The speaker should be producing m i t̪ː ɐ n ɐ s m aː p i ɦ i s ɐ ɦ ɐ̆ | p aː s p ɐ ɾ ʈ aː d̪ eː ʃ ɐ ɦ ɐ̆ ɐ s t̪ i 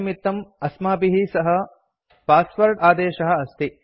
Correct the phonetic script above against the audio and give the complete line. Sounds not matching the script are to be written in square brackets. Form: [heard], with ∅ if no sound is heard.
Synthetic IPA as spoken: m i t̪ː ɐ [m] ɐ s m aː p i ɦ i s ɐ ɦ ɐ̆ | p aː s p ɐ ɾ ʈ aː d̪ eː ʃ ɐ ɦ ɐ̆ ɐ s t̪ i